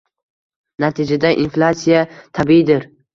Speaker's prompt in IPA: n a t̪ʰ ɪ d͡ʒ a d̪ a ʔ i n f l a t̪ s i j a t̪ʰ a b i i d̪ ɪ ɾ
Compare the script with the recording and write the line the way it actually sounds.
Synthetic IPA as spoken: n a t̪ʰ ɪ d͡ʒ a d̪ a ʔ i n f l a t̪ s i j a t̪ʰ a b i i d̪ ɪ ɾ